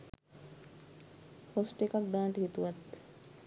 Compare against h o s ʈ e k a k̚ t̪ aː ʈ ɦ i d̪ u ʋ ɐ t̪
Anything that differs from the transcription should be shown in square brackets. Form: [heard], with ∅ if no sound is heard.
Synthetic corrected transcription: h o s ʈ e k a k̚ [d̪] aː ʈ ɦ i [t̪] u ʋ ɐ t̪